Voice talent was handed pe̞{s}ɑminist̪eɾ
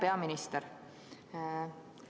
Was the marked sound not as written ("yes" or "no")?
yes